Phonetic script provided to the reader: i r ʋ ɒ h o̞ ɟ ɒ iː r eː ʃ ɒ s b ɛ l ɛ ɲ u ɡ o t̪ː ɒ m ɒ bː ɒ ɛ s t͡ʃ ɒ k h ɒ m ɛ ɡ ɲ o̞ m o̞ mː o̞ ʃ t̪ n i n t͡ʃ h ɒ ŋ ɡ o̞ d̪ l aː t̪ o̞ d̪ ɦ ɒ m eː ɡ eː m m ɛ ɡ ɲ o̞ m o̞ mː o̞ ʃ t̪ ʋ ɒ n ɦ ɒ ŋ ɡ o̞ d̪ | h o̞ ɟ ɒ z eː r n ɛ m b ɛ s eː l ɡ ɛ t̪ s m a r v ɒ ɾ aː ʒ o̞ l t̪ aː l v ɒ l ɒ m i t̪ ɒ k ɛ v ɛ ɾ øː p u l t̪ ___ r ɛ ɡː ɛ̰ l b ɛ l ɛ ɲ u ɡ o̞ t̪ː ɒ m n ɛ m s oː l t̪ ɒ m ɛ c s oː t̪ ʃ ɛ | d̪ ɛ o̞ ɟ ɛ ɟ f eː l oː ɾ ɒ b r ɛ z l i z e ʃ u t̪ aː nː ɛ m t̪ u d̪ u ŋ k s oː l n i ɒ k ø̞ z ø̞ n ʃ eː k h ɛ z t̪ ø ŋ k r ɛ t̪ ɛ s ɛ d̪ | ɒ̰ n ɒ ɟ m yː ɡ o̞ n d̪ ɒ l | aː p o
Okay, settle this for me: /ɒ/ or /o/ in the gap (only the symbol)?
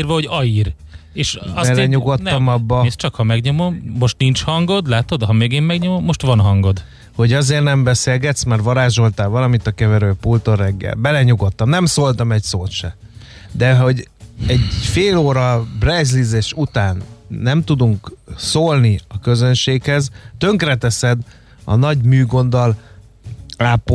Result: o